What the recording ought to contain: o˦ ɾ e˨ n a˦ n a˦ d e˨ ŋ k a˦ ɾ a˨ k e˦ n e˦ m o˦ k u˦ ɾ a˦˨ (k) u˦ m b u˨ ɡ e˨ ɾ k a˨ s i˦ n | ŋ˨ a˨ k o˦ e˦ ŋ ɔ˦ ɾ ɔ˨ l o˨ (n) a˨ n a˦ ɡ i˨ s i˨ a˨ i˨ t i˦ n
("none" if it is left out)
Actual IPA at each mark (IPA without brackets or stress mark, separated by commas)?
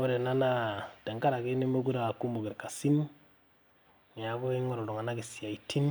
k, ŋ